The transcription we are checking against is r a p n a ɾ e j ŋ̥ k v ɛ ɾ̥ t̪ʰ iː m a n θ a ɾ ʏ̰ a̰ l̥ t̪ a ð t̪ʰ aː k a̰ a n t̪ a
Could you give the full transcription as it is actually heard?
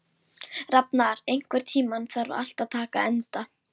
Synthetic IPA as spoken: r a p n a ɾ e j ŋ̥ k v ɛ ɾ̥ t̪ʰ iː m a n θ a ɾ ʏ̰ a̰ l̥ t̪ a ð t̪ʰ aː k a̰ ɛ n t̪ a